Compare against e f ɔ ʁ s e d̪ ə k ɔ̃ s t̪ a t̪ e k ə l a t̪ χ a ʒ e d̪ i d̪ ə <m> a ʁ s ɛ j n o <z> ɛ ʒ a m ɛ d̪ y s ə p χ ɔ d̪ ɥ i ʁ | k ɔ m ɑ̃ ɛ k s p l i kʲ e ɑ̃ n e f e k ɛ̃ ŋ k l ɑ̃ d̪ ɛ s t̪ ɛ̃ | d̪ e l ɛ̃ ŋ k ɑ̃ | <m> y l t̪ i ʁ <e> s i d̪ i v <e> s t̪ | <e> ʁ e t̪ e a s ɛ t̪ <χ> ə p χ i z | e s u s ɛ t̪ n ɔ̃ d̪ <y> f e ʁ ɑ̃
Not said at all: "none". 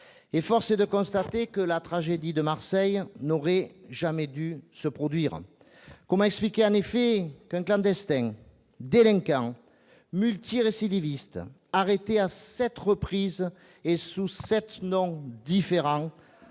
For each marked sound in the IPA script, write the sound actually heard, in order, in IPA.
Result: m, ʁ, m, e, i, a, ʁ, i

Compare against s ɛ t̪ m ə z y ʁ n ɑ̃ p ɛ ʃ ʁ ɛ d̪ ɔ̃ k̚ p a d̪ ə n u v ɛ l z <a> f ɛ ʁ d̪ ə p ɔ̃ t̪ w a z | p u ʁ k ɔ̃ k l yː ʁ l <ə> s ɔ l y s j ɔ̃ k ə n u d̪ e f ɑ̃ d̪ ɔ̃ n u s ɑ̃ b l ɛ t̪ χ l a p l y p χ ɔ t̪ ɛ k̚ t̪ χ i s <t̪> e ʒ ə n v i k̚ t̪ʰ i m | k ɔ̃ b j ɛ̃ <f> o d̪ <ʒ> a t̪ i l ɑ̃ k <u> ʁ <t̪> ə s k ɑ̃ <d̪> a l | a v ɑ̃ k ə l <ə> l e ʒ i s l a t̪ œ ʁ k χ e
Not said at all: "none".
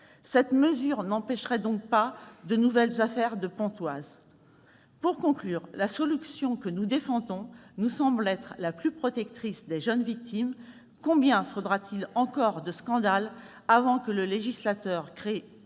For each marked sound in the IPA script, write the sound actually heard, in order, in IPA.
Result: a, a, d̪, f, ʁ, ɔ, d̪, d̪, ə

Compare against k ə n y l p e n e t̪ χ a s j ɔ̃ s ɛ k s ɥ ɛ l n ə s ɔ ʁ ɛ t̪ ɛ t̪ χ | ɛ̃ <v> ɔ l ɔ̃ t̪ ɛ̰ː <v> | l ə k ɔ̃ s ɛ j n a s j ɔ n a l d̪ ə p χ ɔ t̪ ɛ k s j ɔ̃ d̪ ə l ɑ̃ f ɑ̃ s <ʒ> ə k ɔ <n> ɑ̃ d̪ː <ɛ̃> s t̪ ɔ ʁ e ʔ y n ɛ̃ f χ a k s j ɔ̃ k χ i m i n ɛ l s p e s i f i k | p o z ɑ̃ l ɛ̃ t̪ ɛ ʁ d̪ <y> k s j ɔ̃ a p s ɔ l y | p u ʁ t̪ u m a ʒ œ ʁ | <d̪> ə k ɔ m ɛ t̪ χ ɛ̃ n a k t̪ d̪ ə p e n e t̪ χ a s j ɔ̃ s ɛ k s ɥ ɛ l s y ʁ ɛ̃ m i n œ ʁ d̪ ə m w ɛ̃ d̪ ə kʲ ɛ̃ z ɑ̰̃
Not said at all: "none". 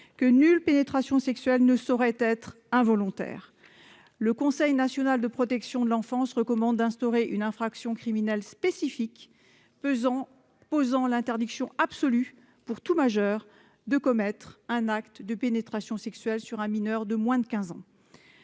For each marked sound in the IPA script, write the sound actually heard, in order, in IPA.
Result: v, ʁ, ʁ, m, ɛ̃, i, d̪

